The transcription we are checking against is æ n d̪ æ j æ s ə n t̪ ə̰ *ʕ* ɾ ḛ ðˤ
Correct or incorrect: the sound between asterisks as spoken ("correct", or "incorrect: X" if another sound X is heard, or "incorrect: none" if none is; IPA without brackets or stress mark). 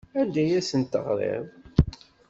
incorrect: ʁ